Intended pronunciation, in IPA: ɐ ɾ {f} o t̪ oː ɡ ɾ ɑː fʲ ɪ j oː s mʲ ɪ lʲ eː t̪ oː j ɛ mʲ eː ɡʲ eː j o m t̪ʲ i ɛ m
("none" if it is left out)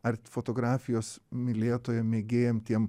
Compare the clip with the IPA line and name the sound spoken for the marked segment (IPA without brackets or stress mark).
f